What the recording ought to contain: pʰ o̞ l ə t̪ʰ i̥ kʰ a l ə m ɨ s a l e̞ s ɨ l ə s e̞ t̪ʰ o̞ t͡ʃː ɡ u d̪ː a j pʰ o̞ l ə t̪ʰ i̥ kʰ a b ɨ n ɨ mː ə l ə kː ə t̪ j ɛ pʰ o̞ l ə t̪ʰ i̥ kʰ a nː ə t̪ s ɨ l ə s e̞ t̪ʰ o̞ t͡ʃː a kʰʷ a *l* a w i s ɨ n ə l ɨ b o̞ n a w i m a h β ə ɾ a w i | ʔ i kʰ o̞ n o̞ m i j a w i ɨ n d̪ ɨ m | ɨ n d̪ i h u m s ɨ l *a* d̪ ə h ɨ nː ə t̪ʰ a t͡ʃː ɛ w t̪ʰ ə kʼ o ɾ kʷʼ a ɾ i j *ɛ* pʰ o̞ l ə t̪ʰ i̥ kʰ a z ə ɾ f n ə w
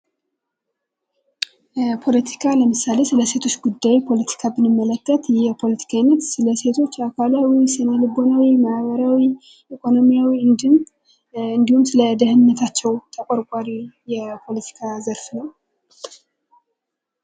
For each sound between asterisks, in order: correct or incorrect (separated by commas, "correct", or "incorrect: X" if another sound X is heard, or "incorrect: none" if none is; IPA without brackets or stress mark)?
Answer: correct, incorrect: ə, correct